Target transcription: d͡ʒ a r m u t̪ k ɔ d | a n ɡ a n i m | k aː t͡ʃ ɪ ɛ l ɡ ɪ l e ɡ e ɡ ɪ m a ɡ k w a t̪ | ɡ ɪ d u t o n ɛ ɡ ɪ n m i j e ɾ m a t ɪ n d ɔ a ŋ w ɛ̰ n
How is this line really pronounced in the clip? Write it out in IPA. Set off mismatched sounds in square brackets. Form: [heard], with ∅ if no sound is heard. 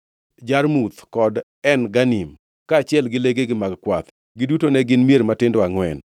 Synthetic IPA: d͡ʒ a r m u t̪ k ɔ d | [ɛ] n ɡ a n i m | k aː t͡ʃ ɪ ɛ l ɡ ɪ l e ɡ e ɡ ɪ m a ɡ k w a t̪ | ɡ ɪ d u t o n ɛ ɡ ɪ n m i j e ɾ m a t ɪ n d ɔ a ŋ w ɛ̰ n

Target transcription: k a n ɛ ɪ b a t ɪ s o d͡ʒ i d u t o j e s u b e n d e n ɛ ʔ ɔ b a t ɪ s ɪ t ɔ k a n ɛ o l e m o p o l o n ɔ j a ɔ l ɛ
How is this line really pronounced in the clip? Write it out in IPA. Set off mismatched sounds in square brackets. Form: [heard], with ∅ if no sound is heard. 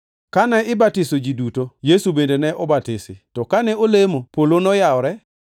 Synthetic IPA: k a n ɛ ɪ b a t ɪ s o d͡ʒ i d u t o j e s u b e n d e n ɛ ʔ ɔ b a t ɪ s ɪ t ɔ k a n ɛ o l e m o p o l o n ɔ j a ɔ [ɾ] ɛ

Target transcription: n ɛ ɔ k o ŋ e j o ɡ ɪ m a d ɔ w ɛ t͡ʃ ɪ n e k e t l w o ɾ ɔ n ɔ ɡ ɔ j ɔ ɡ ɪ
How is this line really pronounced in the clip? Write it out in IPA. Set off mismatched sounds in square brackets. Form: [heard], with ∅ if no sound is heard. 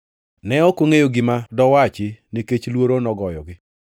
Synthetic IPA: n ɛ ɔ k o ŋ e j o ɡ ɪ m a d ɔ w [a] t͡ʃ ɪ n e k e [t͡ʃ] l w o ɾ [o] n ɔ ɡ ɔ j ɔ ɡ ɪ

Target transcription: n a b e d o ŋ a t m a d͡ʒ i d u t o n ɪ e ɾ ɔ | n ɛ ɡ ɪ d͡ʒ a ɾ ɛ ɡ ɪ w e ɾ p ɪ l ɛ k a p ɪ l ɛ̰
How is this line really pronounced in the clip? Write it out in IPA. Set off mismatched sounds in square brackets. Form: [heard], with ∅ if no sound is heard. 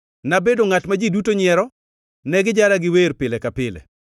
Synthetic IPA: n a b e d o ŋ a t m a d͡ʒ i d u t o [ɲ] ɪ [ɛ] ɾ ɔ | n ɛ ɡ ɪ d͡ʒ a ɾ [a] ɡ ɪ w e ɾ p ɪ l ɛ k a p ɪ l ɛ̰

